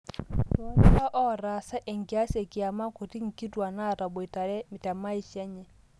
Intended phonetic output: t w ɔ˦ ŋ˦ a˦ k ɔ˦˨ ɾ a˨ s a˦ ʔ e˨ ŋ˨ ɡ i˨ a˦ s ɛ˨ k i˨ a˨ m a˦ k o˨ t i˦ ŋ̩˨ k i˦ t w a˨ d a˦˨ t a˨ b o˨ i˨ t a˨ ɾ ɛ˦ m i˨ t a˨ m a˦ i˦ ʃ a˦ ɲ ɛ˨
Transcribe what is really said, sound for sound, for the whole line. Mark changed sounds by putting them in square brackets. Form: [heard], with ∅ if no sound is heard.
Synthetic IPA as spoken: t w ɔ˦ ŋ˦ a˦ [ʔ] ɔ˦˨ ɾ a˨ s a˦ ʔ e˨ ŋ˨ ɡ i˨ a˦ s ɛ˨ k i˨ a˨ m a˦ k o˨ t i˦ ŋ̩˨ k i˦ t w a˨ [n] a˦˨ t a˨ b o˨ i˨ t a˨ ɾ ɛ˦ m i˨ t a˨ m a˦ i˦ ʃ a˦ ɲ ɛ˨